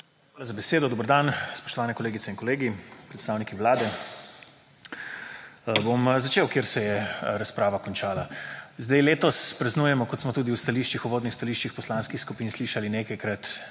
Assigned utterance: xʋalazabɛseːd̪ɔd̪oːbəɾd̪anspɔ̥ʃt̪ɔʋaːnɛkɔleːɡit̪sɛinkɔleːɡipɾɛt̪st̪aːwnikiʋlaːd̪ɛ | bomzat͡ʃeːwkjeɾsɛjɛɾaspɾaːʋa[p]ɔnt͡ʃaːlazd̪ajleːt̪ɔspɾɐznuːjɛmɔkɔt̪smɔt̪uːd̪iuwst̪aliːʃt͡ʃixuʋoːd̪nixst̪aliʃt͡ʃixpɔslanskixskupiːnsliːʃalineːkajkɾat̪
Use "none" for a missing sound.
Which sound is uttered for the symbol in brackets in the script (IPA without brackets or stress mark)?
k